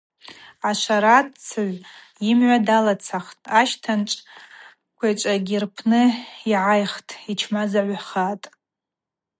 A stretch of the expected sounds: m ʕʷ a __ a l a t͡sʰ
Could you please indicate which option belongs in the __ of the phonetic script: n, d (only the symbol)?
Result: d